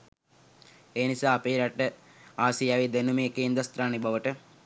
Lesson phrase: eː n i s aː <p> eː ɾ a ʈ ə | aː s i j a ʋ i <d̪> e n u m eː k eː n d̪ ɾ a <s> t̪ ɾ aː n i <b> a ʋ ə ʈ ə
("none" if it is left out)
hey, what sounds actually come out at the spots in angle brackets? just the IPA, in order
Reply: p, d̪, s, b

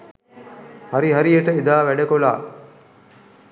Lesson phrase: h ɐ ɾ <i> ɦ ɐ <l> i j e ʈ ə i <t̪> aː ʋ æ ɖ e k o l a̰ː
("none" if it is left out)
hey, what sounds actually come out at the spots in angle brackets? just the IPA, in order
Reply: i, ɾ, d̪

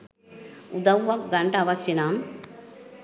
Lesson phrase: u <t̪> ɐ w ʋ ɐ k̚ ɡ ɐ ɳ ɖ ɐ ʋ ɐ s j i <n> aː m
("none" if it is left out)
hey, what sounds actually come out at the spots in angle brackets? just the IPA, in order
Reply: d̪, n

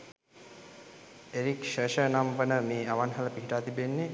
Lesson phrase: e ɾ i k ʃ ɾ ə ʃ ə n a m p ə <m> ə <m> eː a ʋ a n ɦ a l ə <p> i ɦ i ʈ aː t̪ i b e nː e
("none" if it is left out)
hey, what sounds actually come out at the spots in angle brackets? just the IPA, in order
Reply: n, m, p

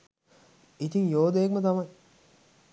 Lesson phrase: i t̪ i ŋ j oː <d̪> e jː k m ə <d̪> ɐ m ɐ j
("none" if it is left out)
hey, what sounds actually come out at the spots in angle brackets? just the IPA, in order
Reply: d̪, t̪

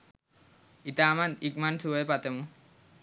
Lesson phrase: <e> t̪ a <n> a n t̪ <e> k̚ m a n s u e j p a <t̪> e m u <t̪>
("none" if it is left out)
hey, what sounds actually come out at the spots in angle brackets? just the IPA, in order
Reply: i, m, i, t̪, none

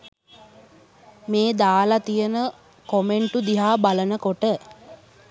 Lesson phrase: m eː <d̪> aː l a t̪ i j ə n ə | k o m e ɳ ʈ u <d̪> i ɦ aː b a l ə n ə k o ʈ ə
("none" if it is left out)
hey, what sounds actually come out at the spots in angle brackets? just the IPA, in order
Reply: d̪, d̪

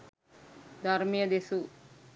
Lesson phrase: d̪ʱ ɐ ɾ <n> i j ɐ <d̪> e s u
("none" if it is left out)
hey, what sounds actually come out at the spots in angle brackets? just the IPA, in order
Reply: m, d̪

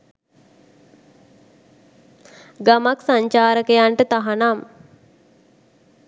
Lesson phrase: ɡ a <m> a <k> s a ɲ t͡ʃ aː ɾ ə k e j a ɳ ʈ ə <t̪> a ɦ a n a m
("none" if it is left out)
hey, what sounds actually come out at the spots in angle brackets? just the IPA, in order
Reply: m, k, t̪

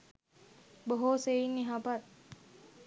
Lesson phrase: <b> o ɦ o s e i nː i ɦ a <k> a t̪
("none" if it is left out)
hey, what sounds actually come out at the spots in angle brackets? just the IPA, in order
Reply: b, p

